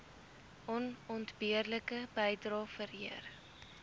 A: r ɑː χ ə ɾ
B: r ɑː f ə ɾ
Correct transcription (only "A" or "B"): B